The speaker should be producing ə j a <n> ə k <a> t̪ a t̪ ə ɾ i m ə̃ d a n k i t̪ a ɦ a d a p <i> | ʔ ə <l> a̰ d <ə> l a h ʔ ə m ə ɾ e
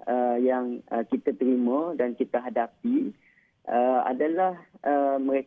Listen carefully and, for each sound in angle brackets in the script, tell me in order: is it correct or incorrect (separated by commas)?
incorrect, incorrect, correct, incorrect, incorrect